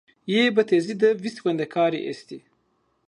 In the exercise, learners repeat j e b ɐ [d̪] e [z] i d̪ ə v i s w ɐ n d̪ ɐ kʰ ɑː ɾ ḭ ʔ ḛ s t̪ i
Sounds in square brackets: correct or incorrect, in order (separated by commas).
incorrect, correct